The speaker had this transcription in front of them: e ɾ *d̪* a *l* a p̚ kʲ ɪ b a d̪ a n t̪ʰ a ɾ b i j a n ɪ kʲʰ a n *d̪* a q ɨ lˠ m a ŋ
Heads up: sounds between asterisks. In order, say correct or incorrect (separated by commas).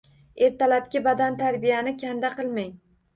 incorrect, correct, correct